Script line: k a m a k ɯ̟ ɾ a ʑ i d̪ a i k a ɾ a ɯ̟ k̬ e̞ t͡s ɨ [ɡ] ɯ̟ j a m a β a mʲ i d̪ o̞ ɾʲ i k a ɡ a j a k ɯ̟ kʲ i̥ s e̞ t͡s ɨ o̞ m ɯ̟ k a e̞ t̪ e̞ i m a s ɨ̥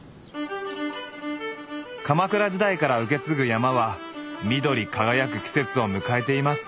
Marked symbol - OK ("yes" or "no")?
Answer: yes